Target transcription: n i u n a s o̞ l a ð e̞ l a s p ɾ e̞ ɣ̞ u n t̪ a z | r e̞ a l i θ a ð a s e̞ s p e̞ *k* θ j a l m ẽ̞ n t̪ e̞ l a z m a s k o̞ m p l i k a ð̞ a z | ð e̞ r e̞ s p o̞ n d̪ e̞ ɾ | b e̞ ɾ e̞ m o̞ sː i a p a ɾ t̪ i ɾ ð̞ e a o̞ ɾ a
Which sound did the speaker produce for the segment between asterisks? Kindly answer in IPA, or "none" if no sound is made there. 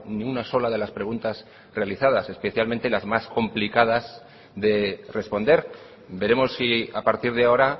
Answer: none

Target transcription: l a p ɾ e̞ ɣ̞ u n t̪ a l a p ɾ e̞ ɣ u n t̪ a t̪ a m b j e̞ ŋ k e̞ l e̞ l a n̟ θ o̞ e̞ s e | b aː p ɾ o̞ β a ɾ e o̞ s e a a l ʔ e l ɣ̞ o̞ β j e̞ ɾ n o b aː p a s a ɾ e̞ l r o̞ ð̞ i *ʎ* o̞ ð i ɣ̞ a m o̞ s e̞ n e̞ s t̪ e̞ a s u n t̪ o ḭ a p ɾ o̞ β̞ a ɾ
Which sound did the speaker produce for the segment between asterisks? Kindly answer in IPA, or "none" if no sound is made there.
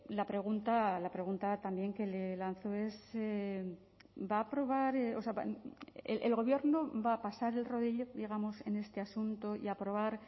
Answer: ʎ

